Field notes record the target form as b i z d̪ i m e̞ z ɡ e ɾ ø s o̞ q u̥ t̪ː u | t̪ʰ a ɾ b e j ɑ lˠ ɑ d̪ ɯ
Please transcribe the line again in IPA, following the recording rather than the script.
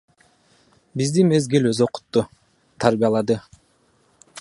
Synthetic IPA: b i z d̪ i m e̞ z ɡ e l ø z o̞ q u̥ t̪ː u | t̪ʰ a ɾ b i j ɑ lˠ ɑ d̪ ɯ